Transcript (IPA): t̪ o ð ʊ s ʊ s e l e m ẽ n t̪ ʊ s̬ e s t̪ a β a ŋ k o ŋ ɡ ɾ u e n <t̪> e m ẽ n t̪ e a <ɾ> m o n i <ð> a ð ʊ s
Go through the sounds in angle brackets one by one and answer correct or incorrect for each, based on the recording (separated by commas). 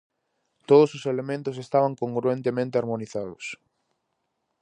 correct, correct, incorrect